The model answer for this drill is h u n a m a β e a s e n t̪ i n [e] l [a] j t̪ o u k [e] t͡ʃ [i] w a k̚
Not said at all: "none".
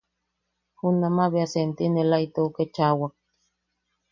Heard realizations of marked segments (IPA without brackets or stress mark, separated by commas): e, a, e, a